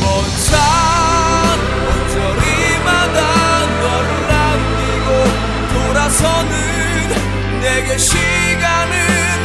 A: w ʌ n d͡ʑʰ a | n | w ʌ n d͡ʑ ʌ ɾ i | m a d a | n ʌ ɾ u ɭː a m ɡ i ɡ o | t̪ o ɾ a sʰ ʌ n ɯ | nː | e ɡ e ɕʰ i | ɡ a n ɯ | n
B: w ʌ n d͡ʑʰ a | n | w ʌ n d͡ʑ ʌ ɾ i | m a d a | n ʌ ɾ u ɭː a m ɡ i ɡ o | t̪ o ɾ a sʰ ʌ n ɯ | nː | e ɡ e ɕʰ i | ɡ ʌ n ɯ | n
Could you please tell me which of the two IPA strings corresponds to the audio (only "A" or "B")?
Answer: A